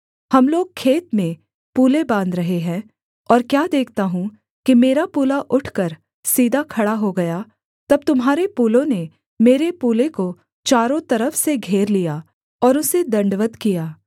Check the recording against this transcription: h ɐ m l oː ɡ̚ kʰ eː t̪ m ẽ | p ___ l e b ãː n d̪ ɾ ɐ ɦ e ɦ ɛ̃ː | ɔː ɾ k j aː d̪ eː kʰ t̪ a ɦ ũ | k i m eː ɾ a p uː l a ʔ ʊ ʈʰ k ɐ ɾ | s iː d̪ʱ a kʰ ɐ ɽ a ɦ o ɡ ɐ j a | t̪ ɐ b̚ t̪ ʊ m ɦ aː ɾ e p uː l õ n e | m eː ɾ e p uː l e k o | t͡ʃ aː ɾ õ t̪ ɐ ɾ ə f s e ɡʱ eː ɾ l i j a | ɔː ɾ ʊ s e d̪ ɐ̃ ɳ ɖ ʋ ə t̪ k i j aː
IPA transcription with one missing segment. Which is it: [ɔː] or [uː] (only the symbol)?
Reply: uː